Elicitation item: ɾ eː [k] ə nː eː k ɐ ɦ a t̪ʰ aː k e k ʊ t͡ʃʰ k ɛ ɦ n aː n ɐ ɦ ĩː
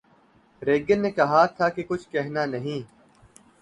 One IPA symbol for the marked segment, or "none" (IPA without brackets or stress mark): ɡ